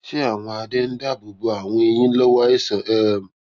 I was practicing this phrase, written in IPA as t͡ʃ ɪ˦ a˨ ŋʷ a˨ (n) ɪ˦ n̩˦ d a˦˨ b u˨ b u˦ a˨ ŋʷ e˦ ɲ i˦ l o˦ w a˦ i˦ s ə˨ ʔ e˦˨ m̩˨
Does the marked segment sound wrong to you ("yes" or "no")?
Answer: yes